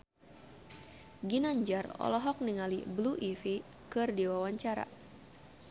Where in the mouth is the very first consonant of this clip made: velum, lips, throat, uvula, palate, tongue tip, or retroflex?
velum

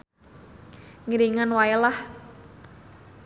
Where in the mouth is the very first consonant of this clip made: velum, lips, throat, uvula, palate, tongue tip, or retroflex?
velum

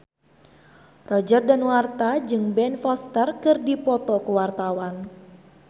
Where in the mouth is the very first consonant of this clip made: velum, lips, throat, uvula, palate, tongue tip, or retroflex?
tongue tip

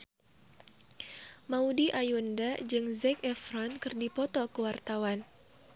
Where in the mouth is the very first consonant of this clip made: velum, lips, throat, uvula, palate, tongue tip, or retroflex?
lips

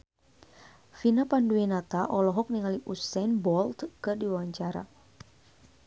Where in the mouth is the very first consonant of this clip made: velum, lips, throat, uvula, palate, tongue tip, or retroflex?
lips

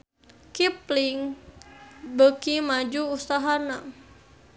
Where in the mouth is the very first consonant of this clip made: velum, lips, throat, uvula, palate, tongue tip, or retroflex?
velum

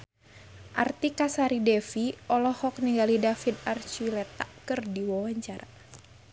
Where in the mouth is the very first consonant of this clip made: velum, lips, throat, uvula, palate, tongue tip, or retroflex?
throat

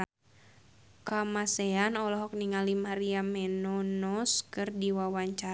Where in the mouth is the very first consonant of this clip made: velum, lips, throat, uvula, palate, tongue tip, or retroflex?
velum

